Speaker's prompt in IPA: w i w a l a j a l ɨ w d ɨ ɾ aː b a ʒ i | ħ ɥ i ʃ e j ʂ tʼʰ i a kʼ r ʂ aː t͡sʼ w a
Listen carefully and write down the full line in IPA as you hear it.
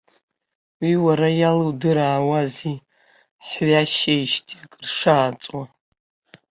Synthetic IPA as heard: w i w a ɾ a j a l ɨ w d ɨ ɾ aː w a z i | ħ ɥ a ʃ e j ʃ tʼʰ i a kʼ r ʂ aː t͡sʼ w a